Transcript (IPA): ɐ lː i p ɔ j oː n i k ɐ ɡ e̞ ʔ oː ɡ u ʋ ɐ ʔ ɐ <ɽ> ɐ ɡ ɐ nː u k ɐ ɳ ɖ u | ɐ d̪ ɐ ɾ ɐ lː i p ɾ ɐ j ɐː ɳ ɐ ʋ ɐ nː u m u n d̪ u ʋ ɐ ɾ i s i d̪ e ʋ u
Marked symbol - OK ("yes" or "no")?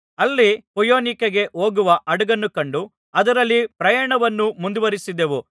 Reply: yes